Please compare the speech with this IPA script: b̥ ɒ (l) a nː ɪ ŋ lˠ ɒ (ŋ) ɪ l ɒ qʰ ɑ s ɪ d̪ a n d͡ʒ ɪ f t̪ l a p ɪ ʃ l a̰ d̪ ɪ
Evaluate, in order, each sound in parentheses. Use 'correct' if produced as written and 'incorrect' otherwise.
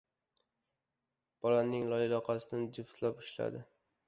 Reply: correct, incorrect

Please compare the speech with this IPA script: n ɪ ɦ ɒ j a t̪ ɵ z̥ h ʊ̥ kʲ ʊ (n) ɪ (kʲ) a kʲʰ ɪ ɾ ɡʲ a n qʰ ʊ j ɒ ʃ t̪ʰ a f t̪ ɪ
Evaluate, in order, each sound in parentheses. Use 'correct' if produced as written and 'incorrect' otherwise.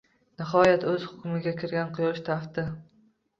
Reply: incorrect, incorrect

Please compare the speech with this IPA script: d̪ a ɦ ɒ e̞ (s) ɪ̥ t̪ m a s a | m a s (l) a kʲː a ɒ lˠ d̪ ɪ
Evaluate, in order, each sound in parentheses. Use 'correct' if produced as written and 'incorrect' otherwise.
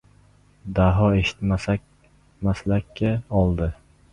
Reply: incorrect, correct

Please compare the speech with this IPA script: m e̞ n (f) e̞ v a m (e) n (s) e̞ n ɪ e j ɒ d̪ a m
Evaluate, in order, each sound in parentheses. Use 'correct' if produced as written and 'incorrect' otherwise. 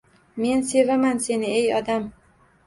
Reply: incorrect, incorrect, correct

